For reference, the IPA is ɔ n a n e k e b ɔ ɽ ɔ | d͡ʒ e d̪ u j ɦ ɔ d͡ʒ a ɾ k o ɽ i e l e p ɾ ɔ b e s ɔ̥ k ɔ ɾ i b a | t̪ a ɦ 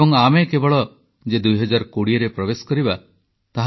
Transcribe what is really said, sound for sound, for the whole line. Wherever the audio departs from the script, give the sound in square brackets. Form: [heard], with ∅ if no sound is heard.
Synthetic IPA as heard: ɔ [ŋ] a [m] e k e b ɔ [ɭ] ɔ | d͡ʒ e d̪ u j ɦ ɔ d͡ʒ a ɾ k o ɽ i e [ɾ] e p ɾ ɔ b e s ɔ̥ k ɔ ɾ i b a | t̪ a ɦ